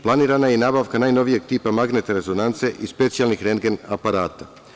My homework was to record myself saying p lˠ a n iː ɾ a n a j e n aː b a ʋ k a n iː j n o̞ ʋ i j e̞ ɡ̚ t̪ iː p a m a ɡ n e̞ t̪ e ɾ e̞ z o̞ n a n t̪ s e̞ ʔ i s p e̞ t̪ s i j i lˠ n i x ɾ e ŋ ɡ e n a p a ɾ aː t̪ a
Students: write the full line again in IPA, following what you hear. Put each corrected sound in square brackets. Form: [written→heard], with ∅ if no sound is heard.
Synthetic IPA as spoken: p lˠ a n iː ɾ a n a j e n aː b a ʋ k a n [iː→aː] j n o̞ ʋ i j e̞ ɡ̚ t̪ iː p a m a ɡ n e̞ t̪ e ɾ e̞ z o̞ n a n t̪ s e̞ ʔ i s p e̞ t̪ s i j [i→a] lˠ n i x ɾ e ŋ ɡ e n a p a ɾ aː t̪ a